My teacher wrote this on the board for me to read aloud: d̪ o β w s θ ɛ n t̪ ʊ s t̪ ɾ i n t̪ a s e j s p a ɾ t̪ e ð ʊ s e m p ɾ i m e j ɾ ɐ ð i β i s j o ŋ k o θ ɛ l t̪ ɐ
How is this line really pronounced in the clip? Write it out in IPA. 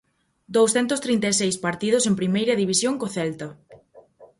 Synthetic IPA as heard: d̪ o w s θ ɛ n t̪ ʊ s t̪ ɾ i n t̪ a s e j s p a ɾ t̪ i ð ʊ s e m p ɾ i m e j ɾ ɐ ð i β i s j o ŋ k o θ ɛ l t̪ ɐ